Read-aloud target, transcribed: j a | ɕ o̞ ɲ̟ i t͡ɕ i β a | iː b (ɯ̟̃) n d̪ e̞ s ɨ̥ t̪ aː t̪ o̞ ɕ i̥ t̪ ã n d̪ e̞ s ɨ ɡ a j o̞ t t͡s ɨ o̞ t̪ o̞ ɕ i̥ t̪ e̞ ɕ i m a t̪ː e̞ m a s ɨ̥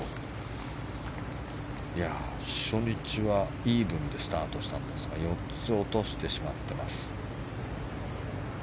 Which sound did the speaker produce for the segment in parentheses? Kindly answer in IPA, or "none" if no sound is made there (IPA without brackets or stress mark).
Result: ɯ̟̃